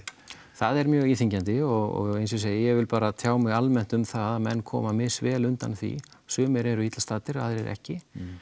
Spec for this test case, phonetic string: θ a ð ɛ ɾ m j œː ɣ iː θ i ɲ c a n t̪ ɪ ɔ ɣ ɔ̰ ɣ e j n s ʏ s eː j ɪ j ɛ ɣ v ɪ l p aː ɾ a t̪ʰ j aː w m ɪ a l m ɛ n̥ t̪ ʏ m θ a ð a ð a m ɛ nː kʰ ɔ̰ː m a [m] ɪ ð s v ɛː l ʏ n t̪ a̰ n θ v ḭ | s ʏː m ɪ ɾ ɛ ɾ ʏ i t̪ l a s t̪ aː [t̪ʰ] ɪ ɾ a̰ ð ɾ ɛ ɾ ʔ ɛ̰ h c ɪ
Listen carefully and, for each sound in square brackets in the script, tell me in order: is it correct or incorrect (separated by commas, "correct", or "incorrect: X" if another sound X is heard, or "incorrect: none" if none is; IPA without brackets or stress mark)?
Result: correct, incorrect: t̪